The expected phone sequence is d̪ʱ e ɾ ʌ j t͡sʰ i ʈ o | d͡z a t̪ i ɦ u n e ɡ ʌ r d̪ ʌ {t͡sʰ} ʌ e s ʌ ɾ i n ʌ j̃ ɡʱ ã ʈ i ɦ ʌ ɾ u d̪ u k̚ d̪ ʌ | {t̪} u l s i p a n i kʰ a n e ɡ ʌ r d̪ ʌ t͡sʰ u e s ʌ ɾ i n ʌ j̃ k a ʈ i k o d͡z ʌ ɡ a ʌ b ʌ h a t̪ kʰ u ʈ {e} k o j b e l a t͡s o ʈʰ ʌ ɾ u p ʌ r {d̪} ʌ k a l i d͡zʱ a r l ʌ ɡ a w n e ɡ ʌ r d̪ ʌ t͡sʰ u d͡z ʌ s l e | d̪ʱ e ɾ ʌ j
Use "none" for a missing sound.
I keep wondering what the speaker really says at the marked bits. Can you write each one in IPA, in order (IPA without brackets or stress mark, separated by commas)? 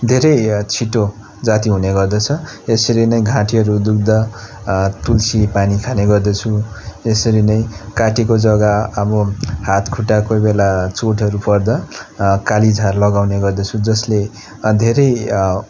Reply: t͡sʰ, t̪, a, d̪